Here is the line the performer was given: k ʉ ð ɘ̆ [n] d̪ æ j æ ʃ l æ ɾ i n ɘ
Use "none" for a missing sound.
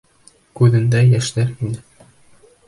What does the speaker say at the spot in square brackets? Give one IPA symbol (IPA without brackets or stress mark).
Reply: n